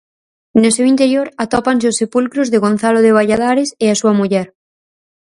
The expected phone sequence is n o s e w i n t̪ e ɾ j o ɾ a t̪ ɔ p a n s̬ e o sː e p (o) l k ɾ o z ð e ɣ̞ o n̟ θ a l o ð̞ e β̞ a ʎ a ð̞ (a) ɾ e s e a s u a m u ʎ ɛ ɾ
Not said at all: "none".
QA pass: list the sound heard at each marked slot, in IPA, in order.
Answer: u, a

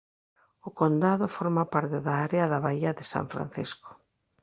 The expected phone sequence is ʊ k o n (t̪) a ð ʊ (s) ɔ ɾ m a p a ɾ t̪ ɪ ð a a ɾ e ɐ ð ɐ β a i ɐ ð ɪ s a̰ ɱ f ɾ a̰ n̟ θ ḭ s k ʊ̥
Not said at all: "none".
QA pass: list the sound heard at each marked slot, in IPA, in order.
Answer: d̪, f

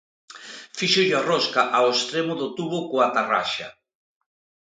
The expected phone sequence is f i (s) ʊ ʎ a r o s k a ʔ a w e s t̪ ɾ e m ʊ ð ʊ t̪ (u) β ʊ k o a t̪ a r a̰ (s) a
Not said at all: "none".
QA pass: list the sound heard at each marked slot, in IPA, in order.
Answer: ʃ, u, ʃ

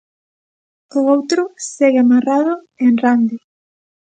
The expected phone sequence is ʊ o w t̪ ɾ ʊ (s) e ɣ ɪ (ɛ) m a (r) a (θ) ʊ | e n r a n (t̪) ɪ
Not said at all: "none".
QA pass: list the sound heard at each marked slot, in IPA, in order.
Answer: s, a, r, ð, d̪

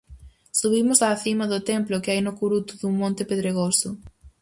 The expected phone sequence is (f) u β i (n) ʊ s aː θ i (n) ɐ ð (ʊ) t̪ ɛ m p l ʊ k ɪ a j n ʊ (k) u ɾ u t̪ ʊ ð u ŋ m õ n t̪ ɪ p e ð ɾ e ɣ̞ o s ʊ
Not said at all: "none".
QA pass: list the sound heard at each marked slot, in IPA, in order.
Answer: s, m, m, ʊ, k

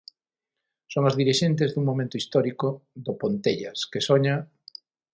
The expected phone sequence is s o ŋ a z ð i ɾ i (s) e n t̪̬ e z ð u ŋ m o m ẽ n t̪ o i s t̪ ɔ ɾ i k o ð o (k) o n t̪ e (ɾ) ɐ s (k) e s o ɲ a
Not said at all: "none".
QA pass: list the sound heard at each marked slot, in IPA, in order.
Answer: ʃ, p, ʎ, k

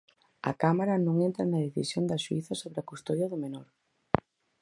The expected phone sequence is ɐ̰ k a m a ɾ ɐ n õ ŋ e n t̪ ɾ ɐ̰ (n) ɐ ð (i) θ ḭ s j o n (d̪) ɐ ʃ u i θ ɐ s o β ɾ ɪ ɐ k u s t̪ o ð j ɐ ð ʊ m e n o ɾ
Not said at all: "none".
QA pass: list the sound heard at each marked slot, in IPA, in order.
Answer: n, e, d̪

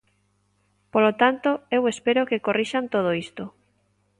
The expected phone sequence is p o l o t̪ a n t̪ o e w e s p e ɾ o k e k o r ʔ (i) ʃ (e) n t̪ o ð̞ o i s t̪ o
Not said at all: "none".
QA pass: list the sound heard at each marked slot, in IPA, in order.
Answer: i, a

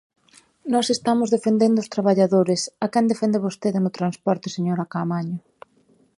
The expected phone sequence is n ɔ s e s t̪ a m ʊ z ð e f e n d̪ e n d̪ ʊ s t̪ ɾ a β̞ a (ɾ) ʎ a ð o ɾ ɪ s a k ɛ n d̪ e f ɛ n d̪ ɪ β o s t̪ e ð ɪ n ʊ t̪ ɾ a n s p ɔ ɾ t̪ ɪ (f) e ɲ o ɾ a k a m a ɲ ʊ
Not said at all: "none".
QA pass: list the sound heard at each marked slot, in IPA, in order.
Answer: none, s

